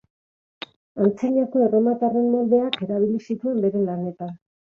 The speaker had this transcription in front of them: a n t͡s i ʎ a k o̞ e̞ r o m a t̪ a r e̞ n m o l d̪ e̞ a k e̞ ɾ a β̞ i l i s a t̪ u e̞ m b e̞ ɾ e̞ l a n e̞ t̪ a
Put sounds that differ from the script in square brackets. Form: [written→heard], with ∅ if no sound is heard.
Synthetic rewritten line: a n t͡s i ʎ a k o̞ e̞ r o m a t̪ a r e̞ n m o l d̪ e̞ a k e̞ ɾ a β̞ i l i s [a→i] t̪ u e̞ m b e̞ ɾ e̞ l a n e̞ t̪ a